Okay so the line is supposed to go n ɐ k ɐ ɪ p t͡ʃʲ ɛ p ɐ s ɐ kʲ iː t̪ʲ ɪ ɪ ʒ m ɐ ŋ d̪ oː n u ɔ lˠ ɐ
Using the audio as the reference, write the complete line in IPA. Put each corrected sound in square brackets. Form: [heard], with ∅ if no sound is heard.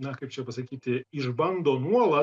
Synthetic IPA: n ɐ k ɐ ɪ p t͡ʃʲ ɛ p ɐ s ɐ kʲ iː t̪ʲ ɪ ɪ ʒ [b] ɐ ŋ d̪ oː n u ɔ lˠ ɐ